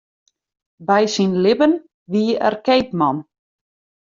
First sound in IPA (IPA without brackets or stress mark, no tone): b